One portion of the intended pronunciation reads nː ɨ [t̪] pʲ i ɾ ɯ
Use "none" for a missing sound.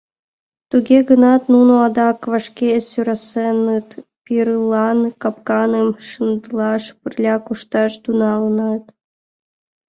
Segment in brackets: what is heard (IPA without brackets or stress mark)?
t̪